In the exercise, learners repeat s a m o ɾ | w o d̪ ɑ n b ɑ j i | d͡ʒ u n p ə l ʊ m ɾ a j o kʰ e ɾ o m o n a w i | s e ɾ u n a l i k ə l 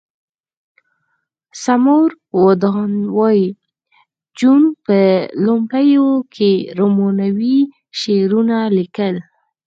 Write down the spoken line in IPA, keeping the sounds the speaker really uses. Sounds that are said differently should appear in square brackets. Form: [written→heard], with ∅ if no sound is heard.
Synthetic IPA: s a m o ɾ | w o d̪ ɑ n [b→w] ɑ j i | d͡ʒ u n p ə l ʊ m [ɾ→ɽ] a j o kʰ e ɾ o m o n a w i | [s→ʃ] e ɾ u n a l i k ə l